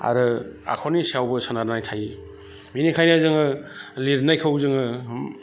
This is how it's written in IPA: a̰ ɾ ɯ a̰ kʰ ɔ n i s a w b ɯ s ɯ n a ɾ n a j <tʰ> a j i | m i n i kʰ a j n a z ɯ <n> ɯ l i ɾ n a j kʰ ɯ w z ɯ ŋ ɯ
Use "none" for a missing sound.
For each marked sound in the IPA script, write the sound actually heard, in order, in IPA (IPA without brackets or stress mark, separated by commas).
tʰ, ŋ